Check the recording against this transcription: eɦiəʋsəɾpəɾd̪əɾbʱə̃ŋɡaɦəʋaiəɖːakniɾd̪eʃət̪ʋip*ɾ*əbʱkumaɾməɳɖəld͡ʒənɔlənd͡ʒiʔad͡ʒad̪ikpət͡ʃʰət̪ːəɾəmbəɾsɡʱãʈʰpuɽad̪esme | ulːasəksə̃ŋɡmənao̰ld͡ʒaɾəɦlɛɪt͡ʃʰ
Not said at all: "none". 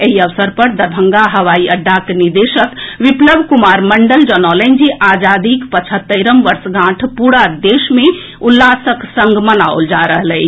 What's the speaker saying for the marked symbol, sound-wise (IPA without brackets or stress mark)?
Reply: l